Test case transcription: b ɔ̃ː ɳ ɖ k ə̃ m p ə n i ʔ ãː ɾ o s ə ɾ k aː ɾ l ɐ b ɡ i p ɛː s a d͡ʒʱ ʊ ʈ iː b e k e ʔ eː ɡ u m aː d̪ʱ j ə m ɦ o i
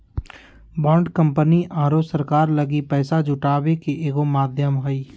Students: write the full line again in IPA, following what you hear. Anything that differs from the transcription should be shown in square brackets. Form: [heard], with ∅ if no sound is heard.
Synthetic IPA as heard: b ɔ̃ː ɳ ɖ k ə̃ m p ə n i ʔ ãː ɾ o s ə ɾ k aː ɾ l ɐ [∅] ɡ i p ɛː s a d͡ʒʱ ʊ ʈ [aː] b e k e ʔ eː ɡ [o] m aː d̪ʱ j ə m ɦ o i